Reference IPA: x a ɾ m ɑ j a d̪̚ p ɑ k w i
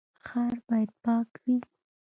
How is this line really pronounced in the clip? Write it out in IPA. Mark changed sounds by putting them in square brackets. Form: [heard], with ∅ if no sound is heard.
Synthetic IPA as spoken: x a ɾ [b] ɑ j a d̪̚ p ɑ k w i